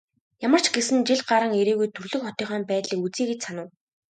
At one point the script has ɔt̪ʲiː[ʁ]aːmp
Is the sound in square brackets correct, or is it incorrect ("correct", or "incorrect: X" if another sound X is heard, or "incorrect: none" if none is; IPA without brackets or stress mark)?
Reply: incorrect: χ